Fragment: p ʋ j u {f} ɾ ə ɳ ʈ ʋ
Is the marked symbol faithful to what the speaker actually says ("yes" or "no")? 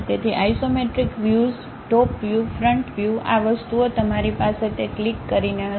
yes